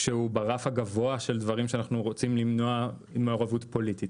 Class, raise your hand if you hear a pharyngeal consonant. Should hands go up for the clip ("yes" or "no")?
no